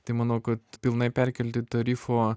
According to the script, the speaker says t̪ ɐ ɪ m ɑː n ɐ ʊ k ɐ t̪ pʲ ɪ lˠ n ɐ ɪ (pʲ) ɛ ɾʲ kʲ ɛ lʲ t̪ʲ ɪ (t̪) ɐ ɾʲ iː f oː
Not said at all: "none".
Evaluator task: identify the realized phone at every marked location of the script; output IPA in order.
pʲ, t̪

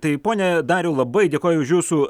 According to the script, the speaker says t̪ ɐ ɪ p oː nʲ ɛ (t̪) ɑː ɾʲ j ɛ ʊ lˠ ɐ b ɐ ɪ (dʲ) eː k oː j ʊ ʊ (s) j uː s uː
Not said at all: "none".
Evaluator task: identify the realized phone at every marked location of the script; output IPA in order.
d̪, dʲ, ʃ

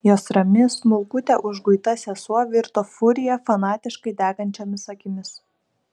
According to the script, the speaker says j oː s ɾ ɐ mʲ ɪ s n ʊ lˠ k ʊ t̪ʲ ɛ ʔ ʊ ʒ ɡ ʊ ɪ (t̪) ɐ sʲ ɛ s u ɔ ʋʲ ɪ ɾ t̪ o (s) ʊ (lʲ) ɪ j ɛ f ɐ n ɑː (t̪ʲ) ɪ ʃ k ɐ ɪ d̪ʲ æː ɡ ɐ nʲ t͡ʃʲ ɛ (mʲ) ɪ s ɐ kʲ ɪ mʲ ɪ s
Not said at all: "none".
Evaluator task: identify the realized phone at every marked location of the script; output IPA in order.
t̪, f, ɾʲ, t̪ʲ, mʲ

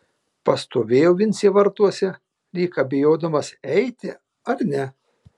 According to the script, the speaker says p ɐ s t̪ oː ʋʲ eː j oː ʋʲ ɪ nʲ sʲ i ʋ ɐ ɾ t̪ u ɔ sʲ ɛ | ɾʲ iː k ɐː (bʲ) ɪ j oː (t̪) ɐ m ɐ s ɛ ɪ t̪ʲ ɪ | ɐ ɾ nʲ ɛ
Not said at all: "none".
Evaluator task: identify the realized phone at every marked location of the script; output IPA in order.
bʲ, d̪

